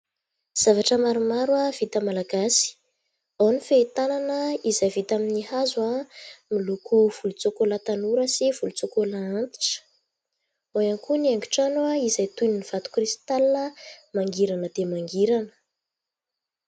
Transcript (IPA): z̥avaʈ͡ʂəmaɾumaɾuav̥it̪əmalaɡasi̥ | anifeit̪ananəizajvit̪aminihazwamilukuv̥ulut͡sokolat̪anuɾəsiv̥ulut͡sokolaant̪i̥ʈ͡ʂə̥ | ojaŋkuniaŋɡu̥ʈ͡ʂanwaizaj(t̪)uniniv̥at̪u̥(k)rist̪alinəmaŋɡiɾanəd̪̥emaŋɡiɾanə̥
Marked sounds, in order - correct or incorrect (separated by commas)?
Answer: correct, correct